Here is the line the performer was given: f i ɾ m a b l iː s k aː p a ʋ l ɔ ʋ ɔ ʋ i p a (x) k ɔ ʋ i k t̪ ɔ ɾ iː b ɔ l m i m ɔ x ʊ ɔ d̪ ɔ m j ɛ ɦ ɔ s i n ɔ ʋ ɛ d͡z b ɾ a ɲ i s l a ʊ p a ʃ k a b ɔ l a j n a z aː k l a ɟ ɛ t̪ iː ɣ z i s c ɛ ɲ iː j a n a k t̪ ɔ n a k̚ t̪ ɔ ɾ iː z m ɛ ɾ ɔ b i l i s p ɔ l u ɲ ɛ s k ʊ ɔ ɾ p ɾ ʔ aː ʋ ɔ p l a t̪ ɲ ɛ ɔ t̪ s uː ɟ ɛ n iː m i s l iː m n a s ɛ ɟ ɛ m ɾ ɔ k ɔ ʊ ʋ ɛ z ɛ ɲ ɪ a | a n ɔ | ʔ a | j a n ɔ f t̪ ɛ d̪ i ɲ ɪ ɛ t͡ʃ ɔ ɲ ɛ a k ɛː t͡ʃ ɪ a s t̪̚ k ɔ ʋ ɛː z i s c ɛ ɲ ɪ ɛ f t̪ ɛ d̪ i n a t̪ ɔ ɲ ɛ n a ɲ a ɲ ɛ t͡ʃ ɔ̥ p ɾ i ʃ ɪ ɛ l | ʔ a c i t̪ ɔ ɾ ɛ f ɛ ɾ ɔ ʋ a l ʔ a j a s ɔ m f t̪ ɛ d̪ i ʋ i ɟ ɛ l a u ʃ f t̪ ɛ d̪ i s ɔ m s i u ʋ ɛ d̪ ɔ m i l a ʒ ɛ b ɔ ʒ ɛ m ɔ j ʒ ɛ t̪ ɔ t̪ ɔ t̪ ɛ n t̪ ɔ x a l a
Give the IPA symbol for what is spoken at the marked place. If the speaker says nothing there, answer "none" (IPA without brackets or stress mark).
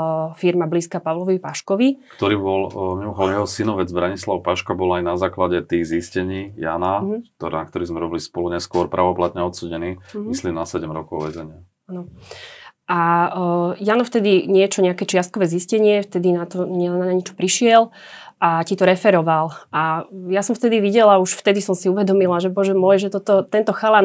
ʃ